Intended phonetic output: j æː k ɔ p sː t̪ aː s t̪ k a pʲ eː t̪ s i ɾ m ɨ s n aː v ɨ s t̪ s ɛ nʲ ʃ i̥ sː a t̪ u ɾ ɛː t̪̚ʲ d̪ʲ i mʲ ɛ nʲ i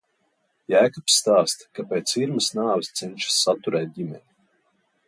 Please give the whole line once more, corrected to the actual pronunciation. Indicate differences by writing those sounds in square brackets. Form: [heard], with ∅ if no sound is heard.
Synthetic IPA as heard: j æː k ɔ p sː t̪ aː s t̪ k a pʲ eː t̪ s i ɾ m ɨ s n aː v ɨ s t̪ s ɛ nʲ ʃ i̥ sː a t̪ u ɾ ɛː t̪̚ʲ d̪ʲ i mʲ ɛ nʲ i